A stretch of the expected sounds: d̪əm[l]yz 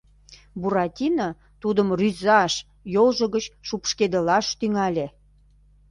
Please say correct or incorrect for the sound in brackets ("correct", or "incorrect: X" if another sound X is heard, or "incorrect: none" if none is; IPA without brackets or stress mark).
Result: incorrect: r